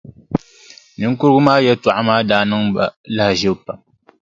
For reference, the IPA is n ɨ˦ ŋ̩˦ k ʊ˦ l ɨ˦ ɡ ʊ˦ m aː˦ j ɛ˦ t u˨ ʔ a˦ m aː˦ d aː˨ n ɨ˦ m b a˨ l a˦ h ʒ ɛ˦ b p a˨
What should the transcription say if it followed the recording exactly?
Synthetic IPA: n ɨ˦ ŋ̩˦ k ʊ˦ ɾ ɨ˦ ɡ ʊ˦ m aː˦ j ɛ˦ t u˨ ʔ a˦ m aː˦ d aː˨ n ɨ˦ ŋ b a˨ l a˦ h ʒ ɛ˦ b p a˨

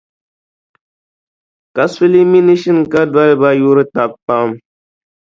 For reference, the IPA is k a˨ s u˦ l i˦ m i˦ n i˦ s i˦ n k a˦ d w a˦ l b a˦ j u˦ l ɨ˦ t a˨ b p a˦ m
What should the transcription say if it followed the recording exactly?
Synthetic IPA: k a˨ s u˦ l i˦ m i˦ n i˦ ʃ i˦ n k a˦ d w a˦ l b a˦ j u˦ ɾ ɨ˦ t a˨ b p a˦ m

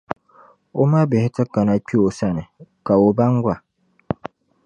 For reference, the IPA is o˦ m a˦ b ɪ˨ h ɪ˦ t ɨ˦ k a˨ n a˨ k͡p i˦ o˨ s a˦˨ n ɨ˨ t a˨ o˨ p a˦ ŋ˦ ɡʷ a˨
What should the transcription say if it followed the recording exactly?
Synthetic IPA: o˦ m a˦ b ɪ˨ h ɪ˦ t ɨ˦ k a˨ n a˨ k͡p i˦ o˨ s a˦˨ n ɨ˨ k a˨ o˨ b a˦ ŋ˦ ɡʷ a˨

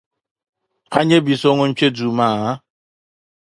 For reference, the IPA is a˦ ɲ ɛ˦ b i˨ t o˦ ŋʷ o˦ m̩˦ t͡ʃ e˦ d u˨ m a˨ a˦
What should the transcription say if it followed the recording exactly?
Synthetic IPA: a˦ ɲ e˦ b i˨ s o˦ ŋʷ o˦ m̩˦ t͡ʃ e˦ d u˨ m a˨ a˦

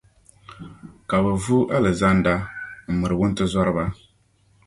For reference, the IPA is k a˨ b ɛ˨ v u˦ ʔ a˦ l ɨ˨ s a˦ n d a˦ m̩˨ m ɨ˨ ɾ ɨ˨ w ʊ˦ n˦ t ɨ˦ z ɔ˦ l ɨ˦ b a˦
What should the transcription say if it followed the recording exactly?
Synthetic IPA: k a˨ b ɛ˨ v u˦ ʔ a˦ l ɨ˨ z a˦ n d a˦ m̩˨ m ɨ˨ ɾ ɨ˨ w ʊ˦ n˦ t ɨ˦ z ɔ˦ ɾ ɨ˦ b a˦

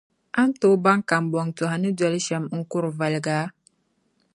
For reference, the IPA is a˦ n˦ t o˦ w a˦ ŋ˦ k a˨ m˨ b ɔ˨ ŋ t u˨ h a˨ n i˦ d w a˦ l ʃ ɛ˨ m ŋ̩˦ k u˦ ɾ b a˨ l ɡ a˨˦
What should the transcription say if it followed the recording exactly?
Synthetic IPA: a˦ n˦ t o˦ b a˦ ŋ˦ k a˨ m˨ b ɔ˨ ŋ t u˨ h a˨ n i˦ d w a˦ l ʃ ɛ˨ m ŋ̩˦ k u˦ ɾ v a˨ l ɡ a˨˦

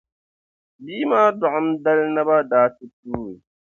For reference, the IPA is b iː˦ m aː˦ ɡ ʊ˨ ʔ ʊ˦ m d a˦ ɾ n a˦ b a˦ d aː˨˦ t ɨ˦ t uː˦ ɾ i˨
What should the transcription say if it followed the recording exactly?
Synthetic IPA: b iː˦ m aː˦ d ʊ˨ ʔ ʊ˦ m d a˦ l n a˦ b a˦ d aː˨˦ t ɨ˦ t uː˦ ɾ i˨

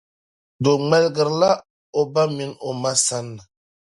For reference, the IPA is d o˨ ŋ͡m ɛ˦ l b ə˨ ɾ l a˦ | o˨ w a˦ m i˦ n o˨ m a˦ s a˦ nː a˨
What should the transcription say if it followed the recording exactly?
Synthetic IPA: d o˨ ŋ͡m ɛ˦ l ɡ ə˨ ɾ l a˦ | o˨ b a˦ m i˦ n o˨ m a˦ s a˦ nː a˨

